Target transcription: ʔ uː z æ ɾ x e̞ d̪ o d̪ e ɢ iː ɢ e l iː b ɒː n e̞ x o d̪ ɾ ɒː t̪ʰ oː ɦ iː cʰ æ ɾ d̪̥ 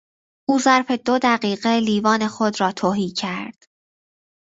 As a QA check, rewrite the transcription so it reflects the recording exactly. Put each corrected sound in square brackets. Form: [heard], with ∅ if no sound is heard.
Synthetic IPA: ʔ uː z æ ɾ [f] e̞ d̪ o d̪ [æ] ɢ iː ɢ e l iː [v] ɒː n e̞ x o d̪ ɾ ɒː t̪ʰ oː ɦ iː cʰ æ ɾ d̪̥